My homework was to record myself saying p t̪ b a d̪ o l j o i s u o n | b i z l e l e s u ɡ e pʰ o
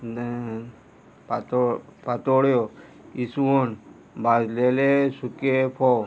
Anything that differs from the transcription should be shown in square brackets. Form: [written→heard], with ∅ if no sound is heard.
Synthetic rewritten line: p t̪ [b→p] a [d̪→t̪] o [l→ɽ] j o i s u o n | b [i→a] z l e l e s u [ɡ→k] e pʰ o